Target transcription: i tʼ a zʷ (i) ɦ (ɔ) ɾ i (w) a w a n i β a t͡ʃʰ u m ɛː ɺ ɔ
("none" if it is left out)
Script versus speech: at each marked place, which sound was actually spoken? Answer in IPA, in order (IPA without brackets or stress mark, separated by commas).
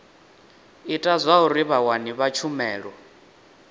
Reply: a, u, β